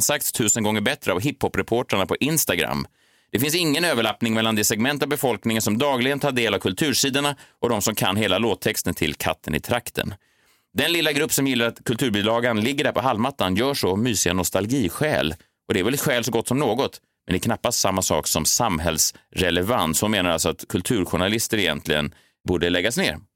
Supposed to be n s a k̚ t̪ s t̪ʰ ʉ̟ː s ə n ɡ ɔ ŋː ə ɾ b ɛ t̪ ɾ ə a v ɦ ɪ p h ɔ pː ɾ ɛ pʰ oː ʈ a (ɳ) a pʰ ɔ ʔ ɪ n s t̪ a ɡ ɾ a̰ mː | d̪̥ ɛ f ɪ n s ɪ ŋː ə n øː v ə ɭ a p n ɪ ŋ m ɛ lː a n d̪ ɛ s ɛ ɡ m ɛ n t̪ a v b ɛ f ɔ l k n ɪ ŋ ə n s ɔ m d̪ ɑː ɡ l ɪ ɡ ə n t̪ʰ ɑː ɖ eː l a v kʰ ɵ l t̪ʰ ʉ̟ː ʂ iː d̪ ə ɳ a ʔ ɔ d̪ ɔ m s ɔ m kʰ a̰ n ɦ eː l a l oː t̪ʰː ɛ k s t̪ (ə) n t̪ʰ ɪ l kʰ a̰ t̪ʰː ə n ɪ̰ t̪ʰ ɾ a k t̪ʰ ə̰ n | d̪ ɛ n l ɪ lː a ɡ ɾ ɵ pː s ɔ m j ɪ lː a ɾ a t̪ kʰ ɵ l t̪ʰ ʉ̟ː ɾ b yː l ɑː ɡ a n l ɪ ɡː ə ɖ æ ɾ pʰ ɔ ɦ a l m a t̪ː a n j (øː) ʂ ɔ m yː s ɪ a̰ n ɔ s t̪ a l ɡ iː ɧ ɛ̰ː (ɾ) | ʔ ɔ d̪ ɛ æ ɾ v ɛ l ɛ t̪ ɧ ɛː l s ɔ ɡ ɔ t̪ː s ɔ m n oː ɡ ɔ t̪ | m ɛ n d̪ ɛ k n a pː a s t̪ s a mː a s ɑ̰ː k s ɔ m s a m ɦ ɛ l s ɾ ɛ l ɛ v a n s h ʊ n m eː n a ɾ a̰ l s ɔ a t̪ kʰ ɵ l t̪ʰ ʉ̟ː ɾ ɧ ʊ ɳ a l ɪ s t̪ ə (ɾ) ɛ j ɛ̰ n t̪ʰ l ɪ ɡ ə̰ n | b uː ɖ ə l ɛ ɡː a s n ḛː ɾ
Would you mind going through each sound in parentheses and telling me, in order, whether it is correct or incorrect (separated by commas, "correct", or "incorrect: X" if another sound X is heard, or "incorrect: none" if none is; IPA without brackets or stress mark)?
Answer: correct, correct, incorrect: œː, incorrect: l, correct